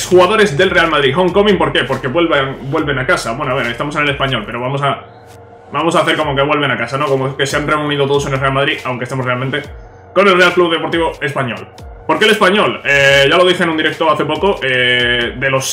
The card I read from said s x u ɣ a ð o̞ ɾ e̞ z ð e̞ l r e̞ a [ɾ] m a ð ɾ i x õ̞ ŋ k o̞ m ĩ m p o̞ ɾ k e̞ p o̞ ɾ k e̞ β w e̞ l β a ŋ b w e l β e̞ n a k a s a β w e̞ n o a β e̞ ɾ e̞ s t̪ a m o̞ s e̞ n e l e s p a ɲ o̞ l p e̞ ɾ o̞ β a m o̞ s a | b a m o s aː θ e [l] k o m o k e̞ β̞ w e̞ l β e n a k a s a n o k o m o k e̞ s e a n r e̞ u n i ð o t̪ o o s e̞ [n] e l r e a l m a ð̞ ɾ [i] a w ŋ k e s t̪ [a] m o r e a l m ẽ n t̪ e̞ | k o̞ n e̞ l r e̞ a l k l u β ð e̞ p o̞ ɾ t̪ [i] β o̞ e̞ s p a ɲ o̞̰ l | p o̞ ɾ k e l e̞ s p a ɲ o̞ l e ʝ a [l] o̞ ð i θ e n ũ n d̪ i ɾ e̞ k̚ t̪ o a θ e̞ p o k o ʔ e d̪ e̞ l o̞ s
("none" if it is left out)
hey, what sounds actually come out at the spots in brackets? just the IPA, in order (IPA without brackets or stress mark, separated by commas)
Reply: l, ɾ, n, i, e, i, l